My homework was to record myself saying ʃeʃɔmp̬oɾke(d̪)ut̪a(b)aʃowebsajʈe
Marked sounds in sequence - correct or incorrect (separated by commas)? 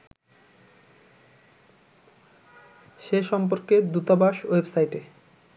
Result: correct, correct